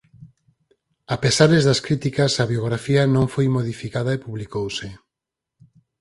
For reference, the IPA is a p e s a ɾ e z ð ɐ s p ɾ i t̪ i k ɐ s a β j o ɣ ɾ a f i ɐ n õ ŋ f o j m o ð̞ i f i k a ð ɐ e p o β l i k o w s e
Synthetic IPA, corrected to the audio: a p e s a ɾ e z ð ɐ s k ɾ i t̪ i k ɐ s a β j o ɣ ɾ a f i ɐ n õ ŋ f o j m o ð̞ i f i k a ð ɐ e p u β l i k o w s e